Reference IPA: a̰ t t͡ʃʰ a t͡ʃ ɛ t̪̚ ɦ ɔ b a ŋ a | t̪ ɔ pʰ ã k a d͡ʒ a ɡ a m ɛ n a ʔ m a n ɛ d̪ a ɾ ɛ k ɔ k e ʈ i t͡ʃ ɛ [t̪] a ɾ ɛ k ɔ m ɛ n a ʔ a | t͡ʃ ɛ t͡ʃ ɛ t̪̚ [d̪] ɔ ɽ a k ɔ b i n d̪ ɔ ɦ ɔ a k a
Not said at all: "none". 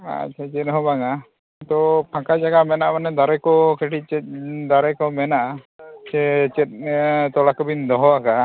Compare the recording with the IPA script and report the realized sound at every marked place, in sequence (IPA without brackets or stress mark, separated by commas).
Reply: d̪, t̪